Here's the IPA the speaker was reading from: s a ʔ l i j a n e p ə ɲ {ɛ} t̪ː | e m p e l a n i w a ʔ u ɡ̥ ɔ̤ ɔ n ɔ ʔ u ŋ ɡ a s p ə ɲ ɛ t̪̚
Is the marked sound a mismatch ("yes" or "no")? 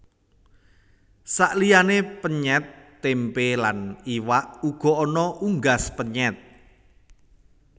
no